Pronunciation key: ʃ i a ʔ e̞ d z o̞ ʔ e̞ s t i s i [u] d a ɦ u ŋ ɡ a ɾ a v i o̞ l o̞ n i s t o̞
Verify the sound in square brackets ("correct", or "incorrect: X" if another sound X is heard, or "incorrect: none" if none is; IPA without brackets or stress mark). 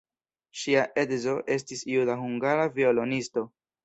correct